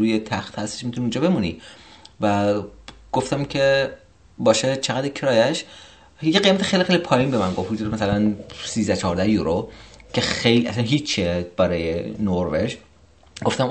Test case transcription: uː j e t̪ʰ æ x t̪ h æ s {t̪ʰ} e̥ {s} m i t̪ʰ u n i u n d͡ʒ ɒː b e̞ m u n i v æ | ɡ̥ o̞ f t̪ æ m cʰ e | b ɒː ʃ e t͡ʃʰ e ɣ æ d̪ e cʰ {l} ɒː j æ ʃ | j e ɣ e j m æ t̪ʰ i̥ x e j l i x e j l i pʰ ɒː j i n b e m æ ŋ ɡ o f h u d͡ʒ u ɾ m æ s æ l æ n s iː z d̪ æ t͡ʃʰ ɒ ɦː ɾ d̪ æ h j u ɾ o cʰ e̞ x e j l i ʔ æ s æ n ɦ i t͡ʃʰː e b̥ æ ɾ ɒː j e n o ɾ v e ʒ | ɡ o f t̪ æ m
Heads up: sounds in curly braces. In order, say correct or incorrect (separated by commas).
incorrect, incorrect, incorrect